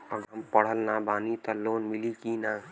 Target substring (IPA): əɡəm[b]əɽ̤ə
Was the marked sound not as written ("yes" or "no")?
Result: yes